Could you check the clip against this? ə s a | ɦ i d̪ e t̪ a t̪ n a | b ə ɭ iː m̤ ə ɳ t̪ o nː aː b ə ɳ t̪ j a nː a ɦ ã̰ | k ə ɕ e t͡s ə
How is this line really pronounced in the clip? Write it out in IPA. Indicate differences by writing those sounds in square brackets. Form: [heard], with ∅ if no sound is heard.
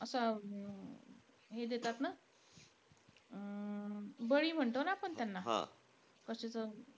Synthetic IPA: ə s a | ɦ [e] d̪ e t̪ a t̪ n a | b ə ɭ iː m̤ ə ɳ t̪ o [n] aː [p] ə ɳ t̪ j a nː a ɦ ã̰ | k ə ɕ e t͡s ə

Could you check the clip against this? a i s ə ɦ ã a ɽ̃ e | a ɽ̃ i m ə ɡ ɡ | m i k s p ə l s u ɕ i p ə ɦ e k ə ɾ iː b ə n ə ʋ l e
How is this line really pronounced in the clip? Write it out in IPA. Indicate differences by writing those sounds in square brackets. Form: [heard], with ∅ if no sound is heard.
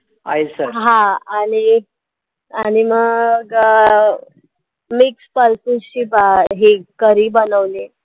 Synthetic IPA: a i s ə ɦ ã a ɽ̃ [i] | a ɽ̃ i m ə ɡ ɡ | m i k s p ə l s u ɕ i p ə ɦ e k ə ɾ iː b ə n ə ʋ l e

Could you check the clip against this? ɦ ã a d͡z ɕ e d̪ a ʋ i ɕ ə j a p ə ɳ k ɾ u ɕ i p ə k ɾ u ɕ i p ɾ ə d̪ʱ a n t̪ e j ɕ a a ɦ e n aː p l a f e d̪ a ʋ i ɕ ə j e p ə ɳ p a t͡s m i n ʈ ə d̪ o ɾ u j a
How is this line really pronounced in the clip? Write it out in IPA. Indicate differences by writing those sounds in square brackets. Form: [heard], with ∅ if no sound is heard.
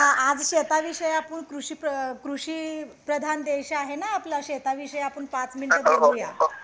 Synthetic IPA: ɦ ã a d͡z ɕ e [t̪] a ʋ i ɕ ə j a p ə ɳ k ɾ u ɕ i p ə k ɾ u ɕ i p ɾ ə d̪ʱ a n [d̪] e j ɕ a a ɦ e n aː p l a [ɕ] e [t̪] a ʋ i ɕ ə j [a] p ə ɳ p a t͡s m i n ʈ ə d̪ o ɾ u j a

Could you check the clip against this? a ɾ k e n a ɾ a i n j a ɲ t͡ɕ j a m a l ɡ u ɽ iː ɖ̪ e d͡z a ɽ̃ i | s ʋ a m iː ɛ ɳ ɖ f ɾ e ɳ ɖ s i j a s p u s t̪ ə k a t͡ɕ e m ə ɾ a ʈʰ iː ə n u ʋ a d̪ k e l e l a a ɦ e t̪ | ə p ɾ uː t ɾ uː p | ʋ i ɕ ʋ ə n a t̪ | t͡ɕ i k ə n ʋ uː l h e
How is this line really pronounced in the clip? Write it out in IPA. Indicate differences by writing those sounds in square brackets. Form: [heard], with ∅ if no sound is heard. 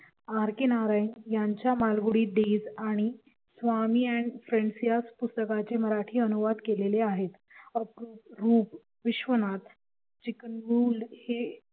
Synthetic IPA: a ɾ k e n a ɾ a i n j a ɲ t͡ɕ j a m a l ɡ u ɽ iː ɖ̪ e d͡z a ɽ̃ i | s ʋ a m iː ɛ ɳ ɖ f ɾ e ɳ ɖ s i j a s p u s t̪ ə k a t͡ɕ e m ə ɾ a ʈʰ iː ə n u ʋ a d̪ k e l e l [e] a ɦ e t̪ | ə p ɾ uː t ɾ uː p | ʋ i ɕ ʋ ə n a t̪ | t͡ɕ i k ə n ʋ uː l h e

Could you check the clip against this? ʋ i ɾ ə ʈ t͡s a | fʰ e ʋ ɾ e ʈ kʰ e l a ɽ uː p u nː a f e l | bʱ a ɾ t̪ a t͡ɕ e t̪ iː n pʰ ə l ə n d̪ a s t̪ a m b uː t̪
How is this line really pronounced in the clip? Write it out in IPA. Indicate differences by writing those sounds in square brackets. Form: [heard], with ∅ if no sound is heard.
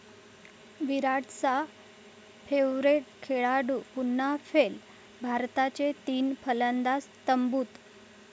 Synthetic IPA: ʋ i ɾ [a] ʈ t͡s a | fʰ e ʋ ɾ e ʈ kʰ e [ɭ] a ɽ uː p u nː a f e l | bʱ a ɾ t̪ a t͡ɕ e t̪ iː n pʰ ə l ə n d̪ a s t̪ [ə] m b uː t̪

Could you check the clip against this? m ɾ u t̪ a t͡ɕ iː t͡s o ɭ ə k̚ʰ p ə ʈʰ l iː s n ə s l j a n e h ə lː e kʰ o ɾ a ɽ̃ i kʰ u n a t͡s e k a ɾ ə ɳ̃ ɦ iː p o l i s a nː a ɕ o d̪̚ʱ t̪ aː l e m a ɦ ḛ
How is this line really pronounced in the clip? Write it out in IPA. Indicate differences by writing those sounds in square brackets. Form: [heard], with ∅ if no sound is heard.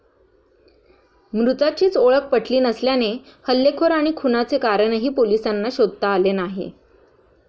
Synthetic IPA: m ɾ u t̪ a t͡ɕ iː t͡s o ɭ ə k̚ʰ p ə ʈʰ l iː [∅] n ə s l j a n e h ə lː e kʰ o ɾ a ɽ̃ i kʰ u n a t͡s e k a ɾ ə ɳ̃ ɦ iː p o l i s a nː a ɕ o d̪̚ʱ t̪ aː l e [n] a ɦ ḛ

